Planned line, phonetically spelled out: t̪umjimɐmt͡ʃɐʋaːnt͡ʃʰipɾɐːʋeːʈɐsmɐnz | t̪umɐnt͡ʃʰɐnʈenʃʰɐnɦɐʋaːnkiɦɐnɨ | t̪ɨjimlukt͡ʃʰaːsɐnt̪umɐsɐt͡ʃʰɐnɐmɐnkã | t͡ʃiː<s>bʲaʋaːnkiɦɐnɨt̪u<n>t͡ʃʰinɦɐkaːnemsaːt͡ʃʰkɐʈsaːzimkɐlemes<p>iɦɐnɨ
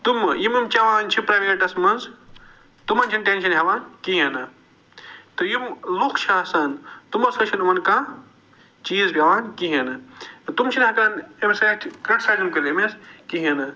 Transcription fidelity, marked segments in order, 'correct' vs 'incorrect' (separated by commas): incorrect, incorrect, incorrect